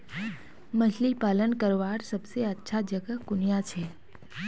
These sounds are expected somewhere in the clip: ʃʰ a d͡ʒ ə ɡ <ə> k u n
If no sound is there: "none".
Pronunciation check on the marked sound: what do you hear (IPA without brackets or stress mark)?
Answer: ə